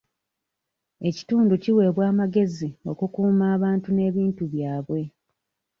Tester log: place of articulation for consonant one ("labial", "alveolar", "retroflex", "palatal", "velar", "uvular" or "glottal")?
palatal